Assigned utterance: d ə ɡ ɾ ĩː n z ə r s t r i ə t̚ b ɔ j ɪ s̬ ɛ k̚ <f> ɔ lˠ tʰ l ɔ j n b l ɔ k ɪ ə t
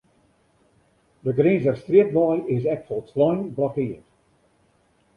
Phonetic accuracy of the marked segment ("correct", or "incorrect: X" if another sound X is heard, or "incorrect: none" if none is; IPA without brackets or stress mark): correct